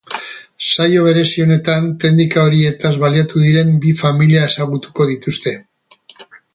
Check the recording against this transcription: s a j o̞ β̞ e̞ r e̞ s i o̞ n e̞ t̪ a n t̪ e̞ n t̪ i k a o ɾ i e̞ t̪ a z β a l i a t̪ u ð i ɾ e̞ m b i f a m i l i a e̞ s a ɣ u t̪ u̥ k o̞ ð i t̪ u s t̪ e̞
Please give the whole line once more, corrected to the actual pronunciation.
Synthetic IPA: s a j o̞ β̞ e̞ ɾ e̞ s i o̞ n e̞ t̪ a n t̪ e̞ n d̪ i k a o ɾ i e̞ t̪ a z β a l i a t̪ u ð i ɾ e̞ m b i f a m i l i a e̞ s a ɣ u t̪ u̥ k o̞ ð i t̪ u s t̪ e̞